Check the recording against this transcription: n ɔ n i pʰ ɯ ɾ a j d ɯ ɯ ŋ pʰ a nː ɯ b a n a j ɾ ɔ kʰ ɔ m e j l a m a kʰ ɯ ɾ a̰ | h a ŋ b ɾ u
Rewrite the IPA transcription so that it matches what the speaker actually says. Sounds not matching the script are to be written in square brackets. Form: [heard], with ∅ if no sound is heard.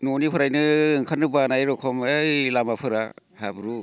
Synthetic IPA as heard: n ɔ n i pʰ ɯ ɾ a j [n] ɯ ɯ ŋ [kʰ] a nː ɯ b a n a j ɾ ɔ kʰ ɔ m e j l a m a [pʰ] ɯ ɾ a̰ | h a [∅] b ɾ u